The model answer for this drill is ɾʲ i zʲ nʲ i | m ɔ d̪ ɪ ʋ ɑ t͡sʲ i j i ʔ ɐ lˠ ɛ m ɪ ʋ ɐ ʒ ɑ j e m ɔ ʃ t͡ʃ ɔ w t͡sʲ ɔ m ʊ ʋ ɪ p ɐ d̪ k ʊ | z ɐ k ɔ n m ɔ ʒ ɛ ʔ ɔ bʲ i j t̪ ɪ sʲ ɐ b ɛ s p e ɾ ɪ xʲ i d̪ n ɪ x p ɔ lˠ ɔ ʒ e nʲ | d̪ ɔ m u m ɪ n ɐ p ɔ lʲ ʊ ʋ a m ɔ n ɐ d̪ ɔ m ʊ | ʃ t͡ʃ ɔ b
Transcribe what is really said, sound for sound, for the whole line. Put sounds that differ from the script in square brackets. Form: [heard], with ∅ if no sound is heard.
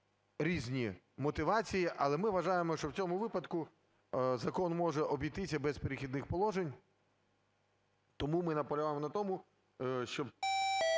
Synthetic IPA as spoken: ɾʲ i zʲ nʲ i | m ɔ [t̪] ɪ ʋ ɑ t͡sʲ i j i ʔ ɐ lˠ ɛ m ɪ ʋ ɐ ʒ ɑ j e m ɔ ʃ t͡ʃ ɔ w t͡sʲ ɔ m ʊ ʋ ɪ p ɐ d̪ k ʊ | z ɐ k ɔ n m ɔ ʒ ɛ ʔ ɔ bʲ i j t̪ ɪ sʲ ɐ b ɛ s p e ɾ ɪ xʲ i d̪ n ɪ x p ɔ lˠ ɔ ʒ e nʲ | [t̪] ɔ m u m ɪ n ɐ p ɔ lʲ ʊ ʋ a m ɔ n ɐ [t̪] ɔ m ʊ | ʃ t͡ʃ ɔ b